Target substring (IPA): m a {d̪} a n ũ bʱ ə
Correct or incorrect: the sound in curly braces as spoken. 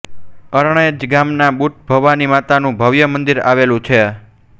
incorrect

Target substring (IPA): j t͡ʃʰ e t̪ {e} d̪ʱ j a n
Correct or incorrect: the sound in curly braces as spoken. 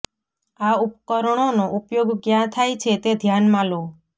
correct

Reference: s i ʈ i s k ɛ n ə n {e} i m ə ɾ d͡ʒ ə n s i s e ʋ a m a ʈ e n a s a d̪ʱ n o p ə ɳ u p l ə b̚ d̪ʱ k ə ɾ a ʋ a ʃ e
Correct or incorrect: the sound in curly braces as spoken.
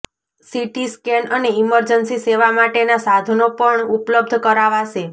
correct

